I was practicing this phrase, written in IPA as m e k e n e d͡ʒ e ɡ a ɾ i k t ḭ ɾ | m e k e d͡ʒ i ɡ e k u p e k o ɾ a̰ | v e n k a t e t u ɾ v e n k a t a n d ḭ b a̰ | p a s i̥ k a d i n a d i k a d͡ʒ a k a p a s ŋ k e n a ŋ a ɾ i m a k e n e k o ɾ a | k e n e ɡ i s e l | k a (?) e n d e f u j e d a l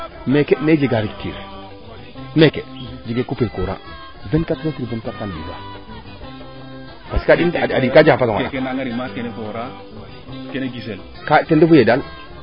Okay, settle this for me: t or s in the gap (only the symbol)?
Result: t